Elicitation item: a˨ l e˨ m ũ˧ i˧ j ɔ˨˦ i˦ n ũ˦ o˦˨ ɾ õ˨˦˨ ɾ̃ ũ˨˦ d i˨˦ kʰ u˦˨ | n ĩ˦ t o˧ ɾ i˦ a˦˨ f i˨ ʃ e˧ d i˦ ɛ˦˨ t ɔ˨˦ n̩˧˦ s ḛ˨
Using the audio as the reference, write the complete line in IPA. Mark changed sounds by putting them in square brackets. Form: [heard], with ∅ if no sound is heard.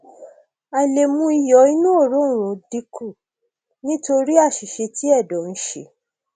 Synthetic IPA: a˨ l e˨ m ũ˧ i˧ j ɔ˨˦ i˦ n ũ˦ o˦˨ ɾ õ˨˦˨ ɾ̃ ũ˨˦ d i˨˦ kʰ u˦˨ | n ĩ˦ t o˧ ɾ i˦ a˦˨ [ʃ] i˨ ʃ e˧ [t] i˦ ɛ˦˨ [d] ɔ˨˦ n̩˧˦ [ʃ] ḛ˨